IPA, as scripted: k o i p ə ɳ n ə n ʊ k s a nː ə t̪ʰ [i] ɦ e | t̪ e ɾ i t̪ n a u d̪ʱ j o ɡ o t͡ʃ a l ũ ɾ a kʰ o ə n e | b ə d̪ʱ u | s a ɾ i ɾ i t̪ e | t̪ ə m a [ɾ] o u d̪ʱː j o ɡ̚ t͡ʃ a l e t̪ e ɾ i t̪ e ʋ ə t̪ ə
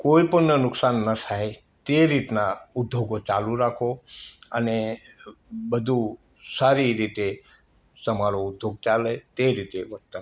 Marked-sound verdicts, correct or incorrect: incorrect, correct

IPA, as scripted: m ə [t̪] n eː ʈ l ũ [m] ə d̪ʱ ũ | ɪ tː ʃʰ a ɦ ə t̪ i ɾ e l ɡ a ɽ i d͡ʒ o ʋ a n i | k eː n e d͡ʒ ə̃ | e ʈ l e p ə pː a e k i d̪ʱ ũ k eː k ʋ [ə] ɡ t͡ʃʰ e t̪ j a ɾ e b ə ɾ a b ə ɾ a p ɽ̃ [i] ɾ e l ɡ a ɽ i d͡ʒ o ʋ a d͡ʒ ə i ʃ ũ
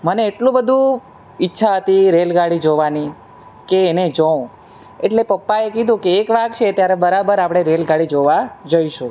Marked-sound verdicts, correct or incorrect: incorrect, incorrect, incorrect, incorrect

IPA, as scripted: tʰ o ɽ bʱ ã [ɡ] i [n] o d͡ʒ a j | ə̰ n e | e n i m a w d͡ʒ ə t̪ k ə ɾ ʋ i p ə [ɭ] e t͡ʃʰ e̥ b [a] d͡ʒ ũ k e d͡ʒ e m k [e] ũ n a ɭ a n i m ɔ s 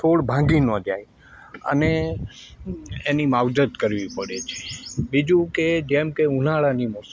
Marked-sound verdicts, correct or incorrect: correct, correct, incorrect, incorrect, correct

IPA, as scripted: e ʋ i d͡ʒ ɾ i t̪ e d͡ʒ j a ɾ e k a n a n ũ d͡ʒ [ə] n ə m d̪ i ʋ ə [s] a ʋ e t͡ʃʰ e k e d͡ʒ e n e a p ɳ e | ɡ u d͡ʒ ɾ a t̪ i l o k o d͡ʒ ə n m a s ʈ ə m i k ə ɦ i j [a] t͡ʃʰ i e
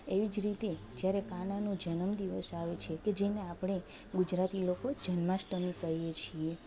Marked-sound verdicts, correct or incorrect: correct, correct, incorrect

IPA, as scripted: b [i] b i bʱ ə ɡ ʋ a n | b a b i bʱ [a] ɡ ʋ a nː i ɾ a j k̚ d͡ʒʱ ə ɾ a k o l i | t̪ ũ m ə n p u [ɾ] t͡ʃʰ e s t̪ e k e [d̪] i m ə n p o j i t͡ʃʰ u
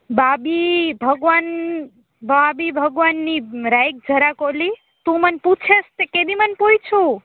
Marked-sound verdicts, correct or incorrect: incorrect, incorrect, incorrect, correct

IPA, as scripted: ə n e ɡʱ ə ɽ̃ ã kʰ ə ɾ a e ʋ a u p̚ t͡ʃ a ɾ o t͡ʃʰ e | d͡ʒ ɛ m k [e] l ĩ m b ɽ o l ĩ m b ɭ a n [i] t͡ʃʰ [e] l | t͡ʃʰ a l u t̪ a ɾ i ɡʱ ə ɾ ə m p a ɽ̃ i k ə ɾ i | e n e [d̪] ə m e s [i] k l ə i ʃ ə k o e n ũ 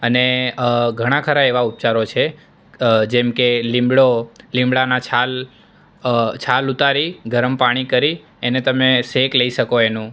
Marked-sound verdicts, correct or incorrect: correct, incorrect, incorrect, incorrect, incorrect

